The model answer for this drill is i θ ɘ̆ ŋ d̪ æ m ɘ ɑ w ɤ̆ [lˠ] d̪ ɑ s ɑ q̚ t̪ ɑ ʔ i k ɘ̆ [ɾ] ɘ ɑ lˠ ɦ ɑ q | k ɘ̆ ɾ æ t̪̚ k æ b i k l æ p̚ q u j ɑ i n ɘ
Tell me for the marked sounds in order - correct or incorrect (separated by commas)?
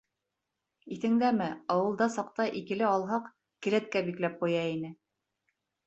correct, incorrect